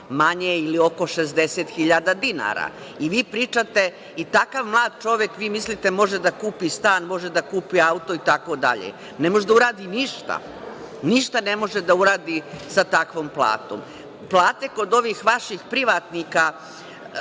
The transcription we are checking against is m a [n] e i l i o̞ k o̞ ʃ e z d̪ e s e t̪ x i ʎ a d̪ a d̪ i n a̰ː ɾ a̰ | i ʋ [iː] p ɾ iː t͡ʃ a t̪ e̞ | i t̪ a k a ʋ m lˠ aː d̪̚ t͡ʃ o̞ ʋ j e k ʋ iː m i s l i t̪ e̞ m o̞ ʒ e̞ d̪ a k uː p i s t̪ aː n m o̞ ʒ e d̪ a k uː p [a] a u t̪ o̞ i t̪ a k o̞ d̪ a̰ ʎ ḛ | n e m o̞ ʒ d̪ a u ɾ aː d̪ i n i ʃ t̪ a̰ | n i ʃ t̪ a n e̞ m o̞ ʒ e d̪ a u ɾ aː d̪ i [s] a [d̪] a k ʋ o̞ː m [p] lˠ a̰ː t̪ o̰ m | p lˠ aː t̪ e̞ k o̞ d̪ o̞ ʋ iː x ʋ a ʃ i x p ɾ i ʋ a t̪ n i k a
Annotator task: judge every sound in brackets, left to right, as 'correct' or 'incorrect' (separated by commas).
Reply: incorrect, correct, incorrect, correct, incorrect, correct